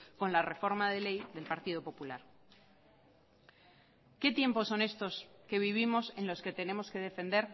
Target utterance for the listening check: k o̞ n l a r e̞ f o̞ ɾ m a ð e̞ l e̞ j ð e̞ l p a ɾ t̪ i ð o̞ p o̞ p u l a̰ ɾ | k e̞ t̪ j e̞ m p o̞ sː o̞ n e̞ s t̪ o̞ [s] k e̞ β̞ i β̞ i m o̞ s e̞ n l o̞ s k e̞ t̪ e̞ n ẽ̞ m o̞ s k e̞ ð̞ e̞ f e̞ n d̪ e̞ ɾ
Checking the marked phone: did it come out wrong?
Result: no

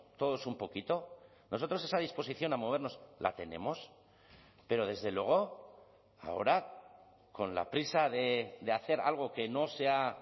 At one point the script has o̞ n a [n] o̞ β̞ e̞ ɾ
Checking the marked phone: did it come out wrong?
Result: yes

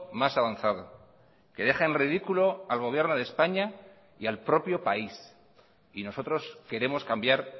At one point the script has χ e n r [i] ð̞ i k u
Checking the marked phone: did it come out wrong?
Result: no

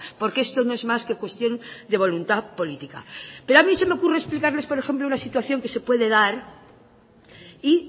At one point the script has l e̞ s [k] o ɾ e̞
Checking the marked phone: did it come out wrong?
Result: yes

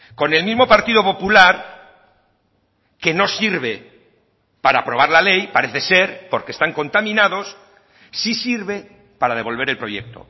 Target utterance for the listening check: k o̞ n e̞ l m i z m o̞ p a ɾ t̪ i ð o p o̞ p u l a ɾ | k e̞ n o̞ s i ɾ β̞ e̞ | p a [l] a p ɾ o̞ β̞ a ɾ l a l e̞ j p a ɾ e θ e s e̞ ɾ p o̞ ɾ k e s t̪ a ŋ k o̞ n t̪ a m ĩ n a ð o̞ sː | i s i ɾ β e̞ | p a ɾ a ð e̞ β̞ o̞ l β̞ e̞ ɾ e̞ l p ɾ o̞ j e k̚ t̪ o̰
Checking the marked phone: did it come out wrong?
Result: yes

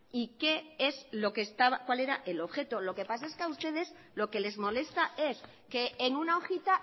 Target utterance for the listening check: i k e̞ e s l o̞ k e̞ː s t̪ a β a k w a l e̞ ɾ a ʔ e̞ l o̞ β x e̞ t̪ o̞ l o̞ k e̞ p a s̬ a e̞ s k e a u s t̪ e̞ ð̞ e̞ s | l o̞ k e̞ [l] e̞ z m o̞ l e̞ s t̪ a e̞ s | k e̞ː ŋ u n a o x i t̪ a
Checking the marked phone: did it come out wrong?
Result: no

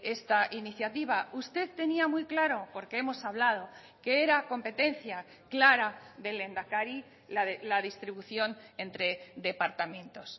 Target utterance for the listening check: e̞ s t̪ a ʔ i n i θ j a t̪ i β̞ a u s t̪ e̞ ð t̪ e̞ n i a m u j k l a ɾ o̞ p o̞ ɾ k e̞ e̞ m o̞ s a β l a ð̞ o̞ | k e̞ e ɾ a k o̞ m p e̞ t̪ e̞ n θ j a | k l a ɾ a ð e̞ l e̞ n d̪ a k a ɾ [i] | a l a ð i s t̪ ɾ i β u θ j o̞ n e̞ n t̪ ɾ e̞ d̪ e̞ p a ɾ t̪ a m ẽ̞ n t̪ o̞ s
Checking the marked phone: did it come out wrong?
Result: no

